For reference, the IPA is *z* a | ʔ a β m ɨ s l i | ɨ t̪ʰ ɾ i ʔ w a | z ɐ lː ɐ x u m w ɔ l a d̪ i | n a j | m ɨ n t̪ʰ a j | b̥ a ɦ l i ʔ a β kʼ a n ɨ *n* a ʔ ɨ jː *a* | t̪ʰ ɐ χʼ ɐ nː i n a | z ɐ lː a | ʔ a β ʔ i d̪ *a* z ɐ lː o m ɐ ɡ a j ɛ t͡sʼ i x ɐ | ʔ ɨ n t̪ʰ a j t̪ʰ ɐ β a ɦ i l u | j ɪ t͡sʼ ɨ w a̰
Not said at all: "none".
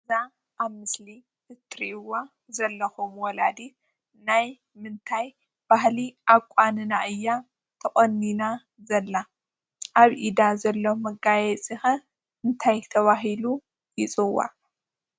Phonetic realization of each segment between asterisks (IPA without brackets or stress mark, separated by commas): z, n, a, a